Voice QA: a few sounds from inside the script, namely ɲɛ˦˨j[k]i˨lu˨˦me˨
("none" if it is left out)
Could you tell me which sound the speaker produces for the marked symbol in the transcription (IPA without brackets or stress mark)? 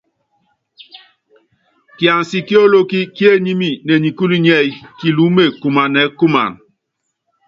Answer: k